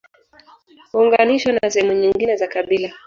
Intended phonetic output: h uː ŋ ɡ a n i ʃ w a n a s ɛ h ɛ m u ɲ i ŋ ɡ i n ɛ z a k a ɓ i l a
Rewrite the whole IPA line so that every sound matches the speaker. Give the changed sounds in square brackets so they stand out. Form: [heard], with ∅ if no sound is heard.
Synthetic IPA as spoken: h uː ŋ ɡ a n i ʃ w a n a s ɛ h ɛ m u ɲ i ŋ ɡ i n ɛ z a k a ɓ i l a

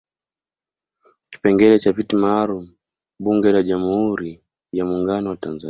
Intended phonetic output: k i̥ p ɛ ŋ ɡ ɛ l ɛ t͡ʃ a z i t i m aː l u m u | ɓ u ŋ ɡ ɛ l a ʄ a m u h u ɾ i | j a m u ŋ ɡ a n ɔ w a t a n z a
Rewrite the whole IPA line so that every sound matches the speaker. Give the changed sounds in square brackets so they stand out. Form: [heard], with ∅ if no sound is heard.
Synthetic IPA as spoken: k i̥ p ɛ ŋ ɡ ɛ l ɛ t͡ʃ a [v] i t i m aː l u m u | ɓ u ŋ ɡ ɛ l a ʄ a m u h u ɾ i | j a m u ŋ ɡ a n ɔ w a t a n z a

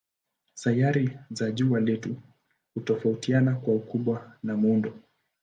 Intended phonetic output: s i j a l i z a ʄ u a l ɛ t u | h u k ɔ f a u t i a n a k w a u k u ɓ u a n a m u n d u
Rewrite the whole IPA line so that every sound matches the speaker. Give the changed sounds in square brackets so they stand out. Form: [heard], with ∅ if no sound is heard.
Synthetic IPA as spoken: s [a] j a [ɾ] i z a ʄ u a l ɛ t u | h u [t] ɔ f a u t i a n a k w a u k u ɓ [w] a n a m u n d [ɔ]

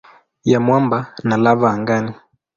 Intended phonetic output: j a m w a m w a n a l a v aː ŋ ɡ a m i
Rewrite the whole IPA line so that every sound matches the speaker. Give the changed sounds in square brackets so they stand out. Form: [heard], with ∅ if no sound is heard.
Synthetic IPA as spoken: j a m w a m [b] a n a l a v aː ŋ ɡ a [n] i

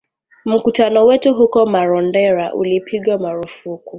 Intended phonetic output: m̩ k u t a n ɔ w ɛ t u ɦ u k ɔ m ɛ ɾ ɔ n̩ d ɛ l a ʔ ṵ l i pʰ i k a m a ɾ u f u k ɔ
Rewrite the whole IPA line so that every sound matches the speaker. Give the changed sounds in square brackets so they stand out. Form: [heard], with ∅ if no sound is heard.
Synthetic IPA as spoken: m̩ k u t a n ɔ w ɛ t u ɦ u k ɔ m [a] ɾ ɔ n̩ d ɛ [ɾ] a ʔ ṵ l i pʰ i [ɡ] a m a ɾ u f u k [u]

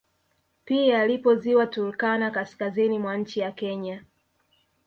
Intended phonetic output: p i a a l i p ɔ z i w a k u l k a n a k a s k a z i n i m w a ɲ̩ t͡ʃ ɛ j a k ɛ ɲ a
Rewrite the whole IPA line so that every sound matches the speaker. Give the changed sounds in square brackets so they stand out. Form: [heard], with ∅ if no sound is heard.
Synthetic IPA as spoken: p i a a l i p ɔ z i w a [t] u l k a n a k a s k a z i n i m w a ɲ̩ t͡ʃ [i] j a k ɛ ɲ a

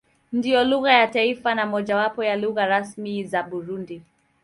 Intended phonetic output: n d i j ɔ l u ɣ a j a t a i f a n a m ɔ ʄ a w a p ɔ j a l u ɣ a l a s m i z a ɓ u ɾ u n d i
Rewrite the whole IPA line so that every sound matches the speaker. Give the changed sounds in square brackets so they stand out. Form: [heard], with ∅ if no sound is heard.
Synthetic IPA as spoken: n d i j ɔ l u ɣ a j a t a i f a n a m ɔ ʄ a w a p ɔ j a l u ɣ a [ɾ] a s m i z a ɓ u ɾ u n d i

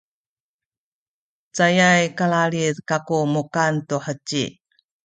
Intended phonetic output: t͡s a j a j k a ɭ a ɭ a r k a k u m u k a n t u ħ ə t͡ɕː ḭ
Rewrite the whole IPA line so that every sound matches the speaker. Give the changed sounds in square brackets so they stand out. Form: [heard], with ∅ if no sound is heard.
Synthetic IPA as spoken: t͡s a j a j k a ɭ a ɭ [i] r k a k u m u k a n t u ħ ə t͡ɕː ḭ

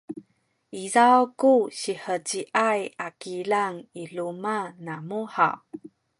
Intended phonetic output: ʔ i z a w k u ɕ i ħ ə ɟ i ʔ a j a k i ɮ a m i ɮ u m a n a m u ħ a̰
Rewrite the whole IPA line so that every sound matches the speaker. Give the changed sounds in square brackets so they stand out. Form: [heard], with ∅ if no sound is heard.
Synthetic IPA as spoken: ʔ i z a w k u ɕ i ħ ə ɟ i ʔ a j a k i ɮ a [ŋ] i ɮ u m a n a m u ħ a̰

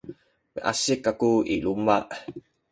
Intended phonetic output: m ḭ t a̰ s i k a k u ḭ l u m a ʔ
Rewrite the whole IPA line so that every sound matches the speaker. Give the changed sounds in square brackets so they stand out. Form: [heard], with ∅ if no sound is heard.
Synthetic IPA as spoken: m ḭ [ʔ] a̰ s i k a k u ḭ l u m a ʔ

